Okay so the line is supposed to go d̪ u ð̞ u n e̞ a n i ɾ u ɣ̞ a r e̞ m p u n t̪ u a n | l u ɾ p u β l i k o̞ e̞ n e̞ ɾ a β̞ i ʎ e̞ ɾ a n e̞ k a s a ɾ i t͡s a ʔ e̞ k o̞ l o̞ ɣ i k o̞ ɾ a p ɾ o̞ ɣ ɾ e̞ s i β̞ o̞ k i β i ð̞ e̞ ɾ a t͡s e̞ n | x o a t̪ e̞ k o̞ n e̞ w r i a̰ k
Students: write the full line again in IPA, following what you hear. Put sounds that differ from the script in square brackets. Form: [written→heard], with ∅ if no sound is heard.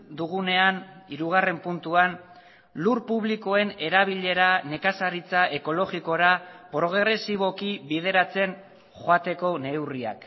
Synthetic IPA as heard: d̪ u [ð̞→ɣ̞] u n e̞ a n i ɾ u ɣ̞ a r e̞ m p u n t̪ u a n | l u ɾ p u β l i k o̞ e̞ n e̞ ɾ a β̞ i ʎ e̞ ɾ a n e̞ k a s a ɾ i t͡s a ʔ e̞ k o̞ l o̞ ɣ i k o̞ ɾ a p ɾ o̞ ɣ ɾ e̞ s i β̞ o̞ k i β i ð̞ e̞ ɾ a t͡s e̞ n | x o a t̪ e̞ k o̞ n e̞ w r i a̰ k